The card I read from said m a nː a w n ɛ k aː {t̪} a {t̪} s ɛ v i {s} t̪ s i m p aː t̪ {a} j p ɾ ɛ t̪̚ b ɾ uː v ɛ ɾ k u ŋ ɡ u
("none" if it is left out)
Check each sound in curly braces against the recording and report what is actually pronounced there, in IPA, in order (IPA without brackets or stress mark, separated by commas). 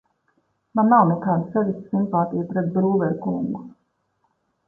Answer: d̪, none, s, i